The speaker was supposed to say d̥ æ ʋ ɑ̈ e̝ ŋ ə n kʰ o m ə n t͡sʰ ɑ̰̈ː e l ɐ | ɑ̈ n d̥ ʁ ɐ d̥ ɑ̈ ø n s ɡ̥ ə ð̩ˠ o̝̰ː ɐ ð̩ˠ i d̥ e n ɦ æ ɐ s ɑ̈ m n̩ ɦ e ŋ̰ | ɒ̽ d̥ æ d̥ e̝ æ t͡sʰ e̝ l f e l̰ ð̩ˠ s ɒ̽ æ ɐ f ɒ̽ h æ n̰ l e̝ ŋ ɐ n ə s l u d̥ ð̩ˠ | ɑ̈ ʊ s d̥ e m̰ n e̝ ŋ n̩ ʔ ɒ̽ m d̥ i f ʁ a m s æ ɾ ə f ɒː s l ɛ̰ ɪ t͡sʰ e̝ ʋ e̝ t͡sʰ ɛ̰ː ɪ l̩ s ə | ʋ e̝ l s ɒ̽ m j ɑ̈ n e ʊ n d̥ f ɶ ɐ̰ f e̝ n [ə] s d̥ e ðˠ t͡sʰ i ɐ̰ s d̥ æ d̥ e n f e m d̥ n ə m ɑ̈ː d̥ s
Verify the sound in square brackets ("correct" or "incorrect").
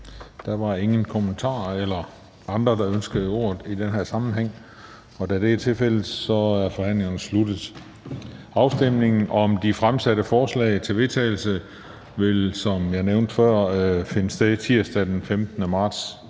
correct